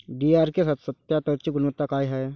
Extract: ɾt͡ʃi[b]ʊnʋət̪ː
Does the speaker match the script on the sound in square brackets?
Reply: no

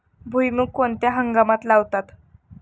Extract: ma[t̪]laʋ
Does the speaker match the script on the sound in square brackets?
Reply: yes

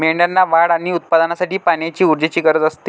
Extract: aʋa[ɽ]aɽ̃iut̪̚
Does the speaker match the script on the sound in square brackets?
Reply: yes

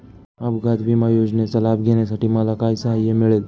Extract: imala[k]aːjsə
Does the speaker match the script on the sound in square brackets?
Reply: yes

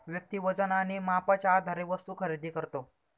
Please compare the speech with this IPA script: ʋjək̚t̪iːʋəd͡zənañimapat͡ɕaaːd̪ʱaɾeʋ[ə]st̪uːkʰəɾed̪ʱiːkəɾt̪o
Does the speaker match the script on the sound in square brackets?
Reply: yes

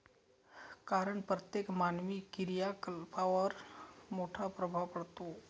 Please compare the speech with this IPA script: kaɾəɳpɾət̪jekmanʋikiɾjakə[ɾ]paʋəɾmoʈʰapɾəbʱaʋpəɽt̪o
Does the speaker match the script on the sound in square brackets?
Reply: no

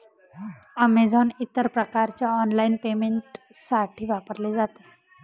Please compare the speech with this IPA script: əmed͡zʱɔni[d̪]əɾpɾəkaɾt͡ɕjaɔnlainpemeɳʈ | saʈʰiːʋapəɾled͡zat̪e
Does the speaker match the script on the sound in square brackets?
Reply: no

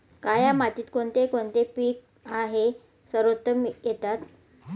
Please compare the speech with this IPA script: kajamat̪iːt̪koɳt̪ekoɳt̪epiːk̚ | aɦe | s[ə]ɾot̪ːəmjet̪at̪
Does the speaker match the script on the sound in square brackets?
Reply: yes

